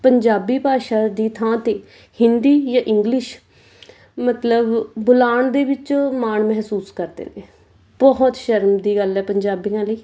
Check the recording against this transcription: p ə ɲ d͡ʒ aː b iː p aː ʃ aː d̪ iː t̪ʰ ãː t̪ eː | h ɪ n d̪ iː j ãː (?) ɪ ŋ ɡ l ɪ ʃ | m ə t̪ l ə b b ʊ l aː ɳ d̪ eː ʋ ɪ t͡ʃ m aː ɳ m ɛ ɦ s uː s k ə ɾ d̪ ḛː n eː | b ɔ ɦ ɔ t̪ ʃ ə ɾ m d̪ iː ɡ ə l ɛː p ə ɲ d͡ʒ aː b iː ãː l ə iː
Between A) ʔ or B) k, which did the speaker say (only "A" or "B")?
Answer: A